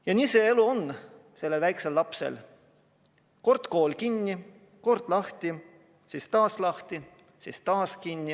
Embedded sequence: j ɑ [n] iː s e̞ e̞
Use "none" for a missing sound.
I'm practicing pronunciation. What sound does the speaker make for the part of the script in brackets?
n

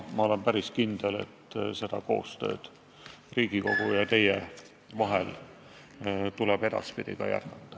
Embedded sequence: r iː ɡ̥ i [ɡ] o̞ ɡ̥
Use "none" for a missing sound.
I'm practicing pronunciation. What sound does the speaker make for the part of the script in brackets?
k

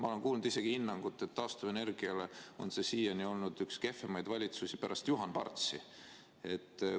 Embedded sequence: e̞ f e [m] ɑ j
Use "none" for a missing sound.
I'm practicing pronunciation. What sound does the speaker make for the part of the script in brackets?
m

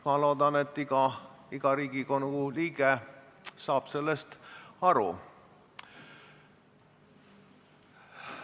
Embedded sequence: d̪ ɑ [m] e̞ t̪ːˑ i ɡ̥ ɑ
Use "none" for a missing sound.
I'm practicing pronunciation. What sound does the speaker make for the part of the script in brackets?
n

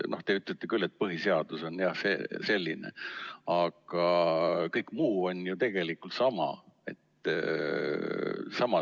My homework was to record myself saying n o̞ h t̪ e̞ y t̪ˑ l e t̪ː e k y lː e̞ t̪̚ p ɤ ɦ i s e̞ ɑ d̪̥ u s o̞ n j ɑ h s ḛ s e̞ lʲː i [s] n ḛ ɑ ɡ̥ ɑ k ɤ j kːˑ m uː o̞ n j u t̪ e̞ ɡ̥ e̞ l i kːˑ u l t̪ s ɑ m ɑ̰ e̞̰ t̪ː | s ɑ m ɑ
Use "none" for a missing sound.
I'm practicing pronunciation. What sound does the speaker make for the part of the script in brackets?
none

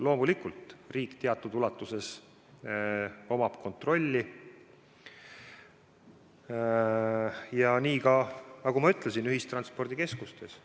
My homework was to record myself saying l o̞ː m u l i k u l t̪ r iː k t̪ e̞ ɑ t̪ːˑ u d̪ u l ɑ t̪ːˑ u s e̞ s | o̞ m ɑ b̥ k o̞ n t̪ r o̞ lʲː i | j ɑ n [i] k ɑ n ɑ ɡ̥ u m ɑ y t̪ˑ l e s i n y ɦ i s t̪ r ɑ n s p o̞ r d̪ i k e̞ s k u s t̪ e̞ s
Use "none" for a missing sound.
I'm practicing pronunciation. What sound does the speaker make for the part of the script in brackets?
iː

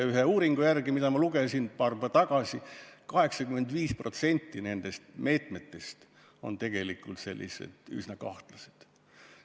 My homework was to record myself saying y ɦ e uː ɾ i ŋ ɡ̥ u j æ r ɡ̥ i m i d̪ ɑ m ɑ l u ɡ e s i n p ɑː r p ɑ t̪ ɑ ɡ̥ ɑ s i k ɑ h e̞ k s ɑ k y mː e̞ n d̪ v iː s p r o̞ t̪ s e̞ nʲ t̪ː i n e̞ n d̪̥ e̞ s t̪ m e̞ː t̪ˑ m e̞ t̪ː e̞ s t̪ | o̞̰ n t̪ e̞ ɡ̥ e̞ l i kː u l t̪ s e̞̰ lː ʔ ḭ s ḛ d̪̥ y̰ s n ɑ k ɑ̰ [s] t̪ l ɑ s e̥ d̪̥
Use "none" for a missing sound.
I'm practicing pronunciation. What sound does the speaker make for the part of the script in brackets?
h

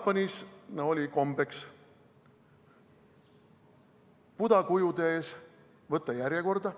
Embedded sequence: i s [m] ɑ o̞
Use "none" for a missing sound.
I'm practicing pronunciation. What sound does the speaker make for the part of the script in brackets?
n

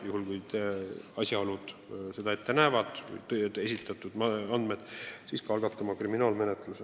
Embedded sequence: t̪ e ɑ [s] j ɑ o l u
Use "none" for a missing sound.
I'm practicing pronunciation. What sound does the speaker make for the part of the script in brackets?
s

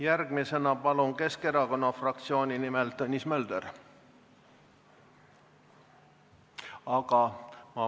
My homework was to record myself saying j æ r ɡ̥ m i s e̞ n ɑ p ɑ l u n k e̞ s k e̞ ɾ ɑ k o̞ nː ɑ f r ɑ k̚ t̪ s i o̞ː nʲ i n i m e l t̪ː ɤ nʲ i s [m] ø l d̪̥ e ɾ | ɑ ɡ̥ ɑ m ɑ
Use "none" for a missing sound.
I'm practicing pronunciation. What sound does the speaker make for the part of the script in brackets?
m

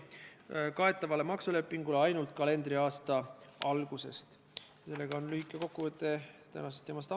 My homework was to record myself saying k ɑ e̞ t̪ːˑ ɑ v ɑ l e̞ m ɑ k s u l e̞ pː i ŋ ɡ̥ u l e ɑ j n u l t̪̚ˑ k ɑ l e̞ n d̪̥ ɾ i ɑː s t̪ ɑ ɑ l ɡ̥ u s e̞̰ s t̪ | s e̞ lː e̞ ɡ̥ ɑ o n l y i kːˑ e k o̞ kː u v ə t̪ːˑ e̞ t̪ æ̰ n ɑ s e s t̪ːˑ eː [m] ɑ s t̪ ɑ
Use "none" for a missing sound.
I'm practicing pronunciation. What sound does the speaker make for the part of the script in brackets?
m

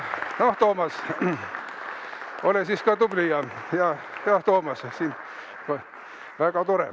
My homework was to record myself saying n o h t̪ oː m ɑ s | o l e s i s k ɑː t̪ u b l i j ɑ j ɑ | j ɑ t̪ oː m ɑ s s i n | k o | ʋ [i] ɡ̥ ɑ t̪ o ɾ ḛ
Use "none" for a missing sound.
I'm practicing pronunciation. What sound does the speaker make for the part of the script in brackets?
æ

